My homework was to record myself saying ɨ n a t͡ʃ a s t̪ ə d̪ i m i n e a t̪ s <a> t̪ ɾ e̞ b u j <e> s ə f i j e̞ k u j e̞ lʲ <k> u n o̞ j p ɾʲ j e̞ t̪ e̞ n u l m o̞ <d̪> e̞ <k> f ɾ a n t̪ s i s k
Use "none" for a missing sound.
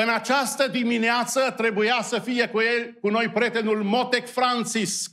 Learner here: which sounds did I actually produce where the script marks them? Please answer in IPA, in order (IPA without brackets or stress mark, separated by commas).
ə, a, k, t̪, k